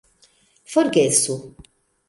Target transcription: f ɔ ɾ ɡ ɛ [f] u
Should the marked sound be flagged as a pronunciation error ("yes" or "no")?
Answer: yes